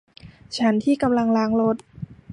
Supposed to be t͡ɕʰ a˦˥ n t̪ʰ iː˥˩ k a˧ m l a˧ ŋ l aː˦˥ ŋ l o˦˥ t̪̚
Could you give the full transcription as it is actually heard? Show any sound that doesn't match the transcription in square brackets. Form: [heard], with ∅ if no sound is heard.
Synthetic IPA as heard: t͡ɕʰ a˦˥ n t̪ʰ iː˥˩ k a˧ m l a˧ ŋ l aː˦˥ ŋ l o˦˥ t̪̚